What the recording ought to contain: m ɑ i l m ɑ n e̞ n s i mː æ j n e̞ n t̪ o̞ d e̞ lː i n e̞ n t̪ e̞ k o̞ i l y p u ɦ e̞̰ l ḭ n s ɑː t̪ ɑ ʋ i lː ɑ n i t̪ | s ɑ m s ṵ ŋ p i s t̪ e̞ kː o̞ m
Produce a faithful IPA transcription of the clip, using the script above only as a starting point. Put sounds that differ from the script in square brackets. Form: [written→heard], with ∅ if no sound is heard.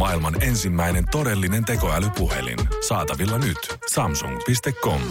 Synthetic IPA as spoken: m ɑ i l m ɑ n e̞ n s i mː æ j n e̞ n t̪ o̞ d e̞ lː i n e̞ n t̪ e̞ k o̞ [i→æ] l y p u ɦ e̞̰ l ḭ n s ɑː t̪ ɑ ʋ i lː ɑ n [i→y] t̪ | s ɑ m s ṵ ŋ p i s t̪ e̞ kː o̞ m